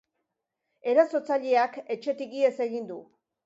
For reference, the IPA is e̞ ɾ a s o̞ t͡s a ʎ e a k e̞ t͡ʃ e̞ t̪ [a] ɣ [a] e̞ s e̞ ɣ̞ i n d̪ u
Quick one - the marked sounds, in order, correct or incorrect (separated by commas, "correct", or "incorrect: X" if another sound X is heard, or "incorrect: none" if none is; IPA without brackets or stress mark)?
incorrect: i, incorrect: i